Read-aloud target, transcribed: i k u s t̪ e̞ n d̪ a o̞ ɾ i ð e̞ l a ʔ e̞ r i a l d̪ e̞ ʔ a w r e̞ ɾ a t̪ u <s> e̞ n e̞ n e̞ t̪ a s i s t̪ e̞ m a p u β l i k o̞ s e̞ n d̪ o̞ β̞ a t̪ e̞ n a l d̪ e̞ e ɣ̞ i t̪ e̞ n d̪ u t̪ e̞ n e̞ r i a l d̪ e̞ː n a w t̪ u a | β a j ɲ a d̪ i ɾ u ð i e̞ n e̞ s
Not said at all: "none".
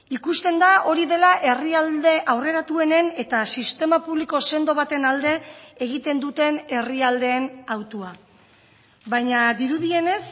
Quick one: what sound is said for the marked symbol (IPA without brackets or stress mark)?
none